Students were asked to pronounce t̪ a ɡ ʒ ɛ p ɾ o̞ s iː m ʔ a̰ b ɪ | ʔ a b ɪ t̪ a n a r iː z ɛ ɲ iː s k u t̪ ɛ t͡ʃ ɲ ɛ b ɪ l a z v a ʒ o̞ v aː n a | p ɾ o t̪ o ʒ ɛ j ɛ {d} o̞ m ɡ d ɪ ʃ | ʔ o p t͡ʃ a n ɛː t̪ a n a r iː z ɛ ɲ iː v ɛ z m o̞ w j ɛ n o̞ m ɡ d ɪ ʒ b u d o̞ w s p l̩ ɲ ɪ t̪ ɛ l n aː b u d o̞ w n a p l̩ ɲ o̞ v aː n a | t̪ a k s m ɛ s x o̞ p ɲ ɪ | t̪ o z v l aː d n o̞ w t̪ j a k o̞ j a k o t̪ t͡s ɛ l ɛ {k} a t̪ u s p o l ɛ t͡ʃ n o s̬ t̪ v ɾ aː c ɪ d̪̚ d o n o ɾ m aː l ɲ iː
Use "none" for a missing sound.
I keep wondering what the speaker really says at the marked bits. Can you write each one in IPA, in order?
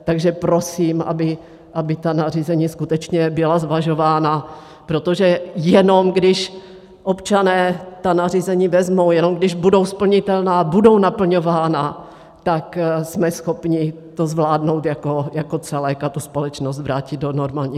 n, k

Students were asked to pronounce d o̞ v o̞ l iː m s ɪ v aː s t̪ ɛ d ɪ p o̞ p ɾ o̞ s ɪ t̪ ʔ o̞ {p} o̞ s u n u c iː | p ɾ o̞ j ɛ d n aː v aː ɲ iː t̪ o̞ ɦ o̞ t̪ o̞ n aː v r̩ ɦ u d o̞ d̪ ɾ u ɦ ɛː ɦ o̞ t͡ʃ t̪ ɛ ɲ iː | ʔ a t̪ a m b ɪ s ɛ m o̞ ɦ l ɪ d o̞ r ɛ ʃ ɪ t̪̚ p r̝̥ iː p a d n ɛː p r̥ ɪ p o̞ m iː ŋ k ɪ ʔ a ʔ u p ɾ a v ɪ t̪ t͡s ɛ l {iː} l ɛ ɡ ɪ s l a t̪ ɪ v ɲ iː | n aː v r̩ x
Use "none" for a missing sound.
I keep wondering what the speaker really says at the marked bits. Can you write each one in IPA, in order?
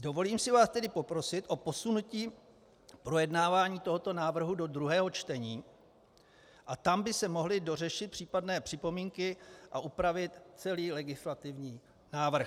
p, iː

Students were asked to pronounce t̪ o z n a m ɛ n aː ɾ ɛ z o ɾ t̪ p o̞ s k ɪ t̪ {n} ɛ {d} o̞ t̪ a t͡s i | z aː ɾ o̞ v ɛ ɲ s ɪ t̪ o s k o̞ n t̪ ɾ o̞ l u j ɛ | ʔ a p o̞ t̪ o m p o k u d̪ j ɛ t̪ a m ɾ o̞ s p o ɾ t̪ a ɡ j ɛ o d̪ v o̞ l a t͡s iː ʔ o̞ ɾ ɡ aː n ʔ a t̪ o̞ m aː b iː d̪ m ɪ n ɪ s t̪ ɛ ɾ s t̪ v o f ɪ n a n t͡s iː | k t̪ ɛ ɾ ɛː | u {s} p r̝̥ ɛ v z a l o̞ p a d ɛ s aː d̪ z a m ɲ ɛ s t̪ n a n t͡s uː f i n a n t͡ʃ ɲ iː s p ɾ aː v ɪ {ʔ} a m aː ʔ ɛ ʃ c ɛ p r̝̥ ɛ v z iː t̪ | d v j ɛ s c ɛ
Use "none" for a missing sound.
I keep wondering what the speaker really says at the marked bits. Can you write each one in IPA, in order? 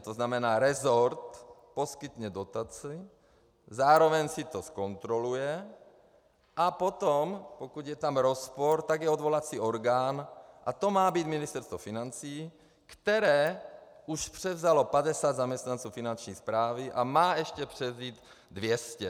ɲ, d, ʃ, ʔ

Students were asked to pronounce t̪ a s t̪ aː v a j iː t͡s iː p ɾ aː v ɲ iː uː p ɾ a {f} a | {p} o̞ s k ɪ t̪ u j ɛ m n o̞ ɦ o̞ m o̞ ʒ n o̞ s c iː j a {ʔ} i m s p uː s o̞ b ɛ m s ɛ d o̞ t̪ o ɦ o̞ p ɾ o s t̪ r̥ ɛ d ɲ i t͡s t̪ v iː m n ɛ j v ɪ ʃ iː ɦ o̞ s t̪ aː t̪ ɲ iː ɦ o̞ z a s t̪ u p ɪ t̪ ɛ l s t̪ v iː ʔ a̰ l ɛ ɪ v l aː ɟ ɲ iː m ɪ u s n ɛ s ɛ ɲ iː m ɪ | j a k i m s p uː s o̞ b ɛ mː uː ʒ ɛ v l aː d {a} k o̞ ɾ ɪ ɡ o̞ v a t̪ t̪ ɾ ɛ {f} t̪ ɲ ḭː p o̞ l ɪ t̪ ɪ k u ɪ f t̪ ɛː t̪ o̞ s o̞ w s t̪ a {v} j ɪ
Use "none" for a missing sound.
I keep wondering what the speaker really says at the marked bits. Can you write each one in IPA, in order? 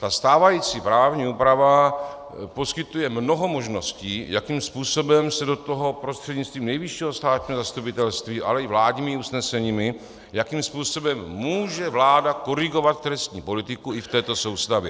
v, p, k, a, s, v

